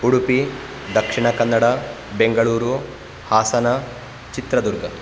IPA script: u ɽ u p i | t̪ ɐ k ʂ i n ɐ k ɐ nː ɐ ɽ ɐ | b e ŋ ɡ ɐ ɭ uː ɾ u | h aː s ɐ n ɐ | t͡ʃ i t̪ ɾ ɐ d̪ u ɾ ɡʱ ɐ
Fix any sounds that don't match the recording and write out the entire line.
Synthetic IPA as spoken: u ɽ u p i | d̪ ɐ k ʂ i ɳ ɐ k ɐ nː ɐ ɽ ɐ | b e ŋ ɡ ɐ ɭ uː ɾ u | h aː s ɐ n ɐ | t͡ʃ i t̪ ɾ ɐ d̪ u ɾ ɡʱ ɐ